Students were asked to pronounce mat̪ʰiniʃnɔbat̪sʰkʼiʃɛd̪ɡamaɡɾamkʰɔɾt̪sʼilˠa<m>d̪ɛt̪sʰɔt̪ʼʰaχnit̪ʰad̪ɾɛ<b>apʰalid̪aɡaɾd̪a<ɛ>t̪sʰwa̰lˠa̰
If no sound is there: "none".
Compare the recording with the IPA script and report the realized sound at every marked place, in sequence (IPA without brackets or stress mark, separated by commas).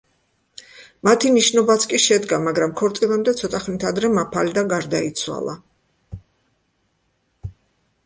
m, m, i